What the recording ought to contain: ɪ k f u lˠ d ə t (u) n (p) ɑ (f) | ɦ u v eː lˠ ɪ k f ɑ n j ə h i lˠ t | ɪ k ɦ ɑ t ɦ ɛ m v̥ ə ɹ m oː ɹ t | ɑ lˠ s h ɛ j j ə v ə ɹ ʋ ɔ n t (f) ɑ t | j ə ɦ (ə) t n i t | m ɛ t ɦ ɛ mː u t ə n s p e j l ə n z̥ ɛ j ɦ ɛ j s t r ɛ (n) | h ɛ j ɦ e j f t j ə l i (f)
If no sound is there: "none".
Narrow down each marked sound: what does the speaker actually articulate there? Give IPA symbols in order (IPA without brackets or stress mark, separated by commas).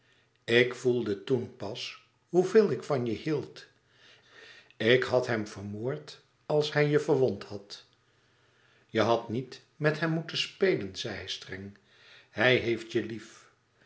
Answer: u, p, s, h, ɑ, ŋ, f